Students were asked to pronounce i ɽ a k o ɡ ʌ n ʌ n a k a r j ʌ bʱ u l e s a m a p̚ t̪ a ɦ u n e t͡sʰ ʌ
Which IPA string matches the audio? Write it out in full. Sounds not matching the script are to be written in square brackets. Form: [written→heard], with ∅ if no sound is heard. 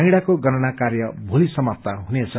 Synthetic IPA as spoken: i ɽ a k o ɡ ʌ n ʌ n a k a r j ʌ bʱ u l [e→i] s [a→ʌ] m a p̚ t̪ a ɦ u n e t͡sʰ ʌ